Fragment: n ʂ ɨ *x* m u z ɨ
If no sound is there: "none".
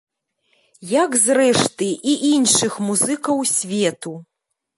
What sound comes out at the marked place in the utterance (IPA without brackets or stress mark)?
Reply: x